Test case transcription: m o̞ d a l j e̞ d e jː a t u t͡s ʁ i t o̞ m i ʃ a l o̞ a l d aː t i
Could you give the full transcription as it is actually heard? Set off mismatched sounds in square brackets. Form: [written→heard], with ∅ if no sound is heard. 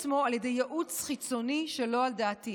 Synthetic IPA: m o̞ [d→∅] a l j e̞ d e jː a [t→ʔ] u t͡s [ʁ→χ] i [t→t͡s] o̞ [m→n] i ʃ [a→e] l o̞ a l d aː t i